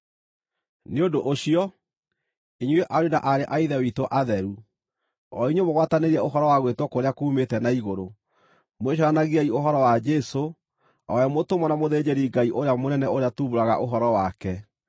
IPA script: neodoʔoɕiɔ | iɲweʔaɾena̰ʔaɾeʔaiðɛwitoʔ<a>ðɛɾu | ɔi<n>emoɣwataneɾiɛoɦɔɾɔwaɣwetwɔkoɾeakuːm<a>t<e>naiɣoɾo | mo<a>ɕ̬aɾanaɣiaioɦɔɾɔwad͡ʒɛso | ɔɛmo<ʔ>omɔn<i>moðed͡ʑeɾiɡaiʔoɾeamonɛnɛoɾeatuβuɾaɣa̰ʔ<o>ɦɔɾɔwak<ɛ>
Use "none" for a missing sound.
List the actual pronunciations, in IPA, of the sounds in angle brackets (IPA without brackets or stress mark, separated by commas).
a, ɲ, e, ɛ, e, t, a, o, ɛ